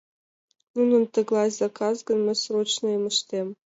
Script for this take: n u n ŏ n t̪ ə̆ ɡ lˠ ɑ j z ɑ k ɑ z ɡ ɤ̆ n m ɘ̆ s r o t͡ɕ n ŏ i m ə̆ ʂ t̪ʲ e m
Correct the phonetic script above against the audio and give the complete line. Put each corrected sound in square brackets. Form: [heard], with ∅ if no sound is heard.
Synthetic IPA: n u n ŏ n t̪ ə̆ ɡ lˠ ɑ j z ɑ k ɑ z ɡ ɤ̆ n m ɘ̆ s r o t͡ɕ n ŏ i m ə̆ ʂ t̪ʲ e m

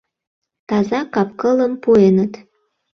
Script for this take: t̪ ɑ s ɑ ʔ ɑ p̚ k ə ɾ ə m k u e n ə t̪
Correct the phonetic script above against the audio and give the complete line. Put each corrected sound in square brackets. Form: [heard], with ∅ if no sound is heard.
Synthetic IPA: t̪ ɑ [z] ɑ [k] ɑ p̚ k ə [l] ə m [p] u e n ə t̪

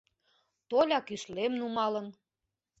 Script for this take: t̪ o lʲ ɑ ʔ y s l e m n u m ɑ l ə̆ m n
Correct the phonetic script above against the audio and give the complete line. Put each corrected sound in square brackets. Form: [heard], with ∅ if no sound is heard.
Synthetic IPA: t̪ o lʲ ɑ [k] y [ʃ] l e m n u m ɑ l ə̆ [∅] n

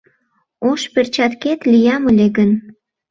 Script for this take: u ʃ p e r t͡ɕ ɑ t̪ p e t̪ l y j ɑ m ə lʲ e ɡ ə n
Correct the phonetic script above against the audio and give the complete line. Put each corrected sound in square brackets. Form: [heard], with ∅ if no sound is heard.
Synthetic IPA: [o] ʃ p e r t͡ɕ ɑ t̪ [k] e t̪ l [i] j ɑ m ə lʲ e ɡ ə n

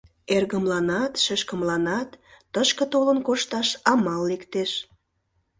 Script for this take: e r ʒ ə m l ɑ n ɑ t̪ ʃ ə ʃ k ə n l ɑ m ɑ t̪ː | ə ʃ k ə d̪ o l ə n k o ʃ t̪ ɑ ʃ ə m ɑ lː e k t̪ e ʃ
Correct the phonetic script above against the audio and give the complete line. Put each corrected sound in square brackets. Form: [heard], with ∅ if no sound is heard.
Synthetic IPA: e r [ɣ] ə m l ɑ n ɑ t̪ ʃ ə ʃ k ə [m] l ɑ [n] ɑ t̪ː | ə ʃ k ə [t̪] o l ə n k o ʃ t̪ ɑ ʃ [ɑ] m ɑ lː e k t̪ e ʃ

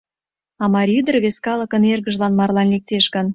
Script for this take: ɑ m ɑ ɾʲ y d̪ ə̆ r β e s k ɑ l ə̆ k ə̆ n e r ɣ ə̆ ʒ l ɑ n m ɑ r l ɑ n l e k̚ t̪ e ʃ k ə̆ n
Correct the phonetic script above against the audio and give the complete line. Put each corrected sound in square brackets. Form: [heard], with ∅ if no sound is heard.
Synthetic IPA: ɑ m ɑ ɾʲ y d̪ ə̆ r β e s k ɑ l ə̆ k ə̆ n e r ɣ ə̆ ʒ l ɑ n m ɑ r l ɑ n l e k̚ t̪ e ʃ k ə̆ n

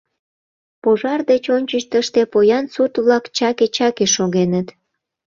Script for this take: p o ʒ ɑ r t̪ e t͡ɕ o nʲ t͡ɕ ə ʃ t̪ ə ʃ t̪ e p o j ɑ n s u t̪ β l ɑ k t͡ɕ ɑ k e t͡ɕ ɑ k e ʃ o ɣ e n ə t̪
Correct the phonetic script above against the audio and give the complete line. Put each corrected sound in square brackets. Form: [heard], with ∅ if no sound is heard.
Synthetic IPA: p o ʒ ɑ r [d̪] e t͡ɕ o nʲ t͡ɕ ə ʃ t̪ ə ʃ t̪ e p o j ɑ n s u t̪ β l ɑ k t͡ɕ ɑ k e t͡ɕ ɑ k e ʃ o ɣ e n ə t̪

